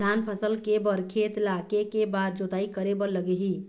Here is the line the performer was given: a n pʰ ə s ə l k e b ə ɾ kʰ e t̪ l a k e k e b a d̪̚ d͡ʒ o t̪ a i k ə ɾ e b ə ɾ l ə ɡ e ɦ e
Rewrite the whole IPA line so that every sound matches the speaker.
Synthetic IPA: a n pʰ ə s ə l k e b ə ɾ kʰ e t̪ l a k e k e b a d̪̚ d͡ʒ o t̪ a i k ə ɾ e b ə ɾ l ə ɡ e ɦ i